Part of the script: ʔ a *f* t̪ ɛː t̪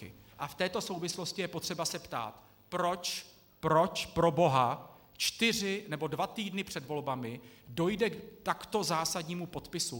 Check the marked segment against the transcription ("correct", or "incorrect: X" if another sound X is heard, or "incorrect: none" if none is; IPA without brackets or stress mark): correct